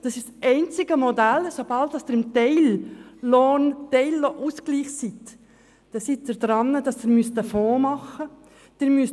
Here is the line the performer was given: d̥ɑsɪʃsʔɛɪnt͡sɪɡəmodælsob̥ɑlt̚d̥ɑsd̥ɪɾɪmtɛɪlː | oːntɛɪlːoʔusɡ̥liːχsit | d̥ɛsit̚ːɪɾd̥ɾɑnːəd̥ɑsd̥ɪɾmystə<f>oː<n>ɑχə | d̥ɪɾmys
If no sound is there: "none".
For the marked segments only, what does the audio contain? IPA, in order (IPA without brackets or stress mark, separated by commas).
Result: f, m